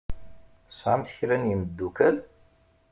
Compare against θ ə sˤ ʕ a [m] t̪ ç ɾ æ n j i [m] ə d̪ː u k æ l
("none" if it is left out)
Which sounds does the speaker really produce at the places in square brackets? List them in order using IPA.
m, m

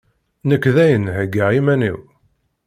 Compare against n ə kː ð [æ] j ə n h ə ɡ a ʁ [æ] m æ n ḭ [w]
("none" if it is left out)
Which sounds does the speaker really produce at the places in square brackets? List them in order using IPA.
æ, i, w

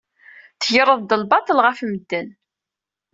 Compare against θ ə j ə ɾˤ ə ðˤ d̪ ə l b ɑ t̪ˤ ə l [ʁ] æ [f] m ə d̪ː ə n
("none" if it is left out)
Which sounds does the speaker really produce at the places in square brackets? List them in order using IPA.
ʁ, f

